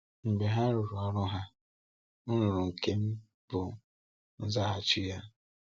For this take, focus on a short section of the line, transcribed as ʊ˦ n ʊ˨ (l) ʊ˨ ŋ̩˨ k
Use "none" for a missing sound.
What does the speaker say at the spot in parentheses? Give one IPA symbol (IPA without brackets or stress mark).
ɾ